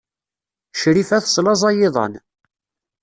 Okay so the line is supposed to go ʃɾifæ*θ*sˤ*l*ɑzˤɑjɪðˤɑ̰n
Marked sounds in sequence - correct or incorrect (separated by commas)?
correct, correct